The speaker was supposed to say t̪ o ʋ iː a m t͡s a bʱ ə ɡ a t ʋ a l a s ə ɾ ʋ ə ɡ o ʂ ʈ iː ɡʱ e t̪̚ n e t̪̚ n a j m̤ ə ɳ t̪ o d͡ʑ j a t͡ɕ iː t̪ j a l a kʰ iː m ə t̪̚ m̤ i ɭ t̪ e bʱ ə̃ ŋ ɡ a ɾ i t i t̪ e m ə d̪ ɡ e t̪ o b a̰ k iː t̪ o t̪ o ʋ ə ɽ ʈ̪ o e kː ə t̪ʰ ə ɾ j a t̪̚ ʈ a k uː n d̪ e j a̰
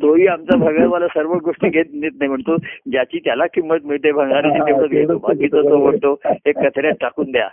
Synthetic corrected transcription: t̪ o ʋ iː a m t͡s a bʱ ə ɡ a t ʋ a l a s ə ɾ ʋ ə ɡ o ʂ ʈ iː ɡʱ e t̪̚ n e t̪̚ n a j m̤ ə ɳ t̪ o d͡ʑ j a t͡ɕ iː t̪ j a l a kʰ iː m ə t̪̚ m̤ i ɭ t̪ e bʱ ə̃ ŋ ɡ a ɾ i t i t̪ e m ə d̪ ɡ e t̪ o b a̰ k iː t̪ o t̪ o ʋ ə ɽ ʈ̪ o e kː ə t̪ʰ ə ɾ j a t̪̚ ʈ a k uː n d̪ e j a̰